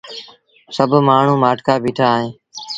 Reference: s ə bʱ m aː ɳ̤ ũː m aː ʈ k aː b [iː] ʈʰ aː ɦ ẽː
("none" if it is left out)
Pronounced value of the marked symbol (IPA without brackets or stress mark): iː